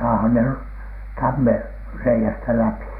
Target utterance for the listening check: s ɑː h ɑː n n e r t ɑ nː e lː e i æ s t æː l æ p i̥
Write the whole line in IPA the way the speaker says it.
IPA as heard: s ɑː h ɑ n n e r t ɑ mː e rː e i æ s t æ l æ p i̥